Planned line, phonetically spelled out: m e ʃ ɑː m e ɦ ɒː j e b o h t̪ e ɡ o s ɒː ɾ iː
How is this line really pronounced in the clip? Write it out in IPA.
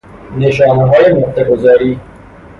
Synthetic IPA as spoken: n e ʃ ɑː n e ɦ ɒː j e m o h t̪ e ɡ o z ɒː ɾ iː

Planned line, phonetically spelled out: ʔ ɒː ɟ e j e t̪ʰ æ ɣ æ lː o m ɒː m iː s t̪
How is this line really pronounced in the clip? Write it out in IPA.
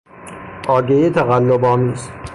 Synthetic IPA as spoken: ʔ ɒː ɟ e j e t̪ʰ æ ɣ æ lː o b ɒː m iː s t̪

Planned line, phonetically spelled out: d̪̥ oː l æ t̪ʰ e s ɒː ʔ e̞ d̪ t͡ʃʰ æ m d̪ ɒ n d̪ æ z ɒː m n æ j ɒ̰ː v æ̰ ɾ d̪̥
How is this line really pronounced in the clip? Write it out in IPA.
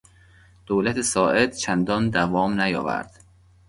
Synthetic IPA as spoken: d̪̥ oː l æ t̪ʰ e s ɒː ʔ e̞ d̪ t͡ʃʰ æ n d̪ ɒ n d̪ æ v ɒː m n æ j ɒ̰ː v æ̰ ɾ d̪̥

